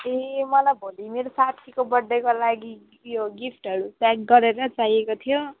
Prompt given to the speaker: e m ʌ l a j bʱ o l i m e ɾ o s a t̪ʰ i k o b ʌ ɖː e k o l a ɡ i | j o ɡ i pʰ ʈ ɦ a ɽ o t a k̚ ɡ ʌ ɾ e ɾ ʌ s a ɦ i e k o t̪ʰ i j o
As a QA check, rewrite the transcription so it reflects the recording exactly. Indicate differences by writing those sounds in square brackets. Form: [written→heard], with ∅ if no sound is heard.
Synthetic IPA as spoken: e m ʌ l a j bʱ o l i m e ɾ o s a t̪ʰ i k o b ʌ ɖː e k o l a ɡ i | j o ɡ i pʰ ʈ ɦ [a→ʌ] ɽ [o→u] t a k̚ ɡ ʌ ɾ e ɾ ʌ [s→t͡s] a ɦ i e k o t̪ʰ i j o